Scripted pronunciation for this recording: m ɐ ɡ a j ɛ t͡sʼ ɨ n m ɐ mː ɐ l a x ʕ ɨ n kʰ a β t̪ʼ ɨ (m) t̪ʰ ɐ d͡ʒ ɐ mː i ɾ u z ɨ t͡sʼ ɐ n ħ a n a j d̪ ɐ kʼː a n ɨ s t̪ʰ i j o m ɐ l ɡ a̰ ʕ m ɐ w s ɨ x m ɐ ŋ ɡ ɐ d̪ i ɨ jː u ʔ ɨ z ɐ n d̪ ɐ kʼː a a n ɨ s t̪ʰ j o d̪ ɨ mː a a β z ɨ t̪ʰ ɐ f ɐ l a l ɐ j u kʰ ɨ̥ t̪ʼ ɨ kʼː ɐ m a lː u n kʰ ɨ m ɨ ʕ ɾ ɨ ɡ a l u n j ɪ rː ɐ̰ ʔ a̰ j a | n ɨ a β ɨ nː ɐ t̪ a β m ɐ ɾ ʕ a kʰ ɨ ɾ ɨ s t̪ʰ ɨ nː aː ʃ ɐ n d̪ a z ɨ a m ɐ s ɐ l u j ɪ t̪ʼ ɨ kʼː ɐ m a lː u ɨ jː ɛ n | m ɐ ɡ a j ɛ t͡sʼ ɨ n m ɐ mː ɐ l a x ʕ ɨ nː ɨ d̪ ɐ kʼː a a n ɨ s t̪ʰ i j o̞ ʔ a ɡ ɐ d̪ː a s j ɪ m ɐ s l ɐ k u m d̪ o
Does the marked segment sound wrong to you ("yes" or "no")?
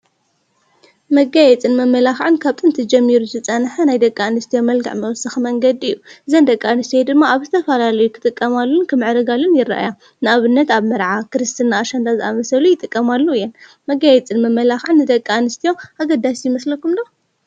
yes